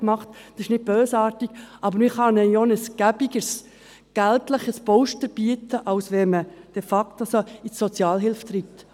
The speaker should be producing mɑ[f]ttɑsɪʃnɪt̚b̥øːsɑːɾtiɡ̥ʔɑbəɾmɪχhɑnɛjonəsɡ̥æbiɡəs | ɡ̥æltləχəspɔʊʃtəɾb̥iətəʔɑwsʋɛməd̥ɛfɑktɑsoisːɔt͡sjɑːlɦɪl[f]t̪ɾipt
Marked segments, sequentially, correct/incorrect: incorrect: χ, correct

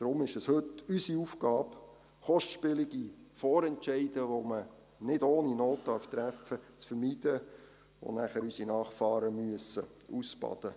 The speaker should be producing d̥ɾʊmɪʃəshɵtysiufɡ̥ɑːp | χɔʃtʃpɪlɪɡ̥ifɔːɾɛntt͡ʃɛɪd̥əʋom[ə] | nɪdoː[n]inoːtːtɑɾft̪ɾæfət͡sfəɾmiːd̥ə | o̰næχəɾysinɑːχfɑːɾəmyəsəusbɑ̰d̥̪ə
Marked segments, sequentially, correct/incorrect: correct, correct

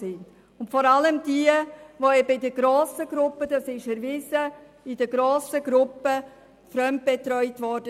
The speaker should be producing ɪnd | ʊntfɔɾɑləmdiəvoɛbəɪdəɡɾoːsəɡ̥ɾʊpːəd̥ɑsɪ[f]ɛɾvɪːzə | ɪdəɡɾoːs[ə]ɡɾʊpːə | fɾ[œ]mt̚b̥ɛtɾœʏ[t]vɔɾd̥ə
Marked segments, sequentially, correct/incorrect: incorrect: ʃ, correct, correct, correct

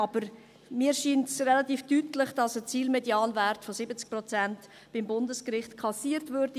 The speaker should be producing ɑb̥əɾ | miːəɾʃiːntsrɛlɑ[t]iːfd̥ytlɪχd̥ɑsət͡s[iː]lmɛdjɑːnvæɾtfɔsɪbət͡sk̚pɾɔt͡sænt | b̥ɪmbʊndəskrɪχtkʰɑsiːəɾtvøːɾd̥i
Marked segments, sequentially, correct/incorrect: correct, correct

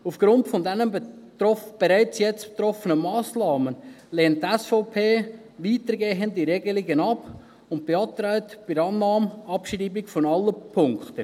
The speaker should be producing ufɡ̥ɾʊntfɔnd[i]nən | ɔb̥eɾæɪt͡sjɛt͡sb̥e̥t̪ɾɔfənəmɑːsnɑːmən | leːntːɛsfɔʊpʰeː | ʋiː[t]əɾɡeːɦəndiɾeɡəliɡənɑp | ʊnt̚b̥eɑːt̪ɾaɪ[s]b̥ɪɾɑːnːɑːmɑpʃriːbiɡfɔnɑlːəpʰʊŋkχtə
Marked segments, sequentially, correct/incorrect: incorrect: ɛ, correct, incorrect: t

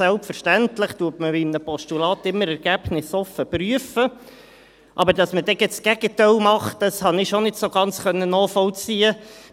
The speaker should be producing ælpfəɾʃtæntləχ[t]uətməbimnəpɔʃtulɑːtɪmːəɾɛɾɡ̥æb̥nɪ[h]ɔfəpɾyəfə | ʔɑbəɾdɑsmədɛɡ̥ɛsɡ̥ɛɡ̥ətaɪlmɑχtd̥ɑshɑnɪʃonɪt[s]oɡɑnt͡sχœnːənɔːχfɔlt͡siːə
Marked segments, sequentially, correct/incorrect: correct, incorrect: s, correct

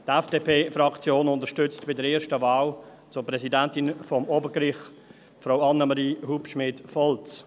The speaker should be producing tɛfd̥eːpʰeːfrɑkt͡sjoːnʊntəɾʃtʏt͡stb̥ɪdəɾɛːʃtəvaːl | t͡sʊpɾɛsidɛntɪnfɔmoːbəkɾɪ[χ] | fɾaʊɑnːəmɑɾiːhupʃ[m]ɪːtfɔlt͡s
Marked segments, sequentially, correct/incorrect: correct, correct

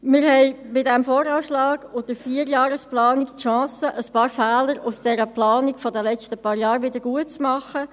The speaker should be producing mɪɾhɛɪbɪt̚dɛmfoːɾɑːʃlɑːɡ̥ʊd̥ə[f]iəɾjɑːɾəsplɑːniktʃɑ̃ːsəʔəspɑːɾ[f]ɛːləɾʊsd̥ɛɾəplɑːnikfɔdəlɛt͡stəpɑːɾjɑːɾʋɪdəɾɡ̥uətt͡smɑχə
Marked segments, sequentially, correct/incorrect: correct, correct

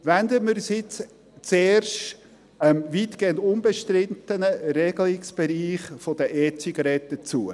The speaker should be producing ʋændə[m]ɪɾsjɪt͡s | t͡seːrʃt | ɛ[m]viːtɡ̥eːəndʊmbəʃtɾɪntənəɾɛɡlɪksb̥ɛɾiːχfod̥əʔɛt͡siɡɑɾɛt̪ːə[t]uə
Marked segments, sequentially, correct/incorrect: correct, correct, incorrect: t͡s

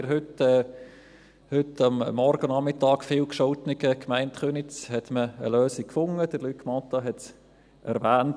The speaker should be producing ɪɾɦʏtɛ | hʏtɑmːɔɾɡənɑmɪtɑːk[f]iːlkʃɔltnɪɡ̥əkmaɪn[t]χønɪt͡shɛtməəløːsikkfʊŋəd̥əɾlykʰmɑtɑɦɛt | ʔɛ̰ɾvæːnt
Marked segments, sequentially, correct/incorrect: correct, correct

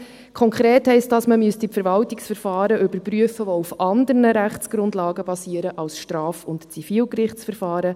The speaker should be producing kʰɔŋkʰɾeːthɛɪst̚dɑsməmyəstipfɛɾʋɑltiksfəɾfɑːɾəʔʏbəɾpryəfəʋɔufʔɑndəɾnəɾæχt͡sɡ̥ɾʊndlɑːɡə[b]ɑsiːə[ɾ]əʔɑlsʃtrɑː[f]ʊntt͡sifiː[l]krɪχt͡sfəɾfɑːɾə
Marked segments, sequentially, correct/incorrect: correct, correct, correct, correct

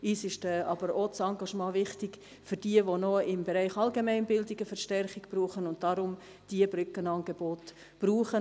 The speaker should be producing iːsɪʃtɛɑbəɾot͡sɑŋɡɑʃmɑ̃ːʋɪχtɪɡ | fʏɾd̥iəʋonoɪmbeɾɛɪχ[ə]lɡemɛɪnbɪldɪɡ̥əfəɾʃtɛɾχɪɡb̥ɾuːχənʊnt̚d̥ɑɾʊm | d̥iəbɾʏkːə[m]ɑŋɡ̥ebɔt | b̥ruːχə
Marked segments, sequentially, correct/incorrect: incorrect: ɑ, incorrect: n

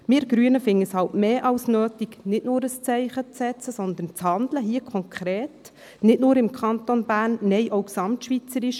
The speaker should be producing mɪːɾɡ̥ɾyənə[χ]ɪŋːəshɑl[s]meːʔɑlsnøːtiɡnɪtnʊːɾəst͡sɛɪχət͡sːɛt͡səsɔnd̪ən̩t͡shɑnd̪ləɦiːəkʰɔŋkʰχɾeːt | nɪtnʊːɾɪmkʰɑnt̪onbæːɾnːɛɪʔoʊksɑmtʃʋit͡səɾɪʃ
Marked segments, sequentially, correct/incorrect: incorrect: f, incorrect: t

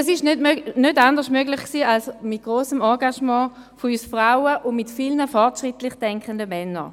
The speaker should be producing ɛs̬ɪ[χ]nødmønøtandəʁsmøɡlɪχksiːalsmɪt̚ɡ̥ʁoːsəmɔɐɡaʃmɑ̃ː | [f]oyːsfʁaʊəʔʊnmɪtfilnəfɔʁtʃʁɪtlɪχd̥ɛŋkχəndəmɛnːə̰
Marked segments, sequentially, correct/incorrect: incorrect: ʃ, correct

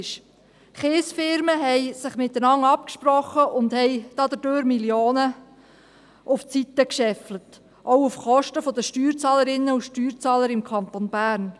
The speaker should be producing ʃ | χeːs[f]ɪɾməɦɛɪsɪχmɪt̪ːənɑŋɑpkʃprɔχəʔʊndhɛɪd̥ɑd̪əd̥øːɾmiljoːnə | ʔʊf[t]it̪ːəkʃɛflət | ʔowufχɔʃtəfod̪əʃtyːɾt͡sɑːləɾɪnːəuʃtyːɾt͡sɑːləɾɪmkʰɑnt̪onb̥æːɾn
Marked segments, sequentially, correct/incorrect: correct, incorrect: t͡s

